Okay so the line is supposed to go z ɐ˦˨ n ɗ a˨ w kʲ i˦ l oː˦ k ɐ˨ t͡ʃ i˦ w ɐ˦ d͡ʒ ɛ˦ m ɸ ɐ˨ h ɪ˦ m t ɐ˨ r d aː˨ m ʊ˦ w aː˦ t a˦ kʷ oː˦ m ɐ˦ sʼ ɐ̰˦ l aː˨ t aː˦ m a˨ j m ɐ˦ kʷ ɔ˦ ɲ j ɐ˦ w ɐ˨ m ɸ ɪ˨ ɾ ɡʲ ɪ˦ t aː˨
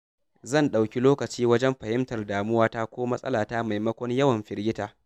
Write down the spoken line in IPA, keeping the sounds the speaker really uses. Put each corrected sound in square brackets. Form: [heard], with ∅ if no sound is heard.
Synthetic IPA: z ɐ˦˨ n ɗ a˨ w kʲ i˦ l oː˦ k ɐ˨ t͡ʃ [iː˦] w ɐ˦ d͡ʒ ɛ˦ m ɸ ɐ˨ h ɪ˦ m t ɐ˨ r d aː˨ m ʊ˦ w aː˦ t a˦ kʷ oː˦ m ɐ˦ sʼ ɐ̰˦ l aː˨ t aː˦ m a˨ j m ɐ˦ kʷ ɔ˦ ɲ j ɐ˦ w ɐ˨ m ɸ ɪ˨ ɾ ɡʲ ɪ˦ t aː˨

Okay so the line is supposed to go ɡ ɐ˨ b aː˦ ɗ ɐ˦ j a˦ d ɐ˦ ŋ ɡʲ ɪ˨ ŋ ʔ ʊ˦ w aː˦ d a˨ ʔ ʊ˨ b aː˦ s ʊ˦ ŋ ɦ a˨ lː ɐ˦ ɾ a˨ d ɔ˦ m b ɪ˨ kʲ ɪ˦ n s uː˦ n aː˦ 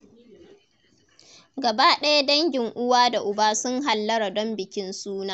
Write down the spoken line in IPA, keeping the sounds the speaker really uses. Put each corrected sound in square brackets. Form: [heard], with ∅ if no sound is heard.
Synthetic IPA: ɡ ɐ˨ b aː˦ ɗ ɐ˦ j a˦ d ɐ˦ ŋ ɡʲ ɪ˨ ŋ ʔ ʊ˦ w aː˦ d a˨ ʔ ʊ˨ b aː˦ s ʊ˦ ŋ ɦ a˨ lː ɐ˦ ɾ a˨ d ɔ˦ m b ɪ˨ kʲ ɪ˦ n s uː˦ n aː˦

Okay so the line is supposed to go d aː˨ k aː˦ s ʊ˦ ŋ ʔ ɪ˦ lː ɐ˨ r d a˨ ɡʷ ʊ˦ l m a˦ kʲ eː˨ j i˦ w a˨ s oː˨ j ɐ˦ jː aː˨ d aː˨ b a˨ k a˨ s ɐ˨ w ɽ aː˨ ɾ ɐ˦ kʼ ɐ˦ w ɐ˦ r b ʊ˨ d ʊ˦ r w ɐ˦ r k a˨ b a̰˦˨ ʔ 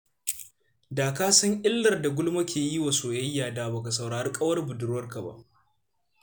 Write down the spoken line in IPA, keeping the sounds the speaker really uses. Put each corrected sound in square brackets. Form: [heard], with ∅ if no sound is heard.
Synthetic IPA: d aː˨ k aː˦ s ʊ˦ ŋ ʔ ɪ˦ lː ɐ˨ r d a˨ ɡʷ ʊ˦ l m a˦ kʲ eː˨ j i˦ w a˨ s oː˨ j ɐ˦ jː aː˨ d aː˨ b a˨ k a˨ s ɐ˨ w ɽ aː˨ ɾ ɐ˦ kʼ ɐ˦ w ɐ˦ r b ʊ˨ d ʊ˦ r w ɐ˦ r k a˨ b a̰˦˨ ʔ

